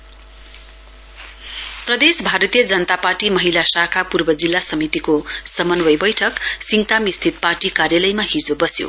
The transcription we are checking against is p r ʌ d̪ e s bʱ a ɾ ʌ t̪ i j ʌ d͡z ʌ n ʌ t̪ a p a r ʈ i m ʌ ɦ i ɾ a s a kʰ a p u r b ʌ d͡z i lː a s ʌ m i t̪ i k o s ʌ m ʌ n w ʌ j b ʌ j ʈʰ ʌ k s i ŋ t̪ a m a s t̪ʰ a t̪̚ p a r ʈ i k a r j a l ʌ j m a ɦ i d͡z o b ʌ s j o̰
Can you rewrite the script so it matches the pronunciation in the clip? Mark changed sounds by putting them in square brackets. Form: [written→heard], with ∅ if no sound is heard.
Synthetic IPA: p r ʌ d̪ e s bʱ a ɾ ʌ t̪ i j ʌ d͡z ʌ n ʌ t̪ a p a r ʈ i m ʌ ɦ i [ɾ→l] a s a kʰ a p u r b ʌ d͡z i lː a s ʌ m i t̪ i k o s ʌ m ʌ n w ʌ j b ʌ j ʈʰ ʌ k s i ŋ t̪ a m [a→i] s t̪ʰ [a→i] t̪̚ p a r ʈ i k a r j a l ʌ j m a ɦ i d͡z o b ʌ s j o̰